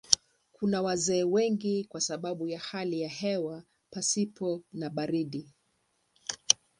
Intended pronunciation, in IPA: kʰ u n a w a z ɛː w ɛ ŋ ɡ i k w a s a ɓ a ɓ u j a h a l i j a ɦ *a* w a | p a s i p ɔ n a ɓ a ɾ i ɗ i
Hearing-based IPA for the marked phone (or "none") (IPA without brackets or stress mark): ɛ